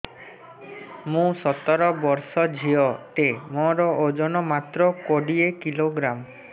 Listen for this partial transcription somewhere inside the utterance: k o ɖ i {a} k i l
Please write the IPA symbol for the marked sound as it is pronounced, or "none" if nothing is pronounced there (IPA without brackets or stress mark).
e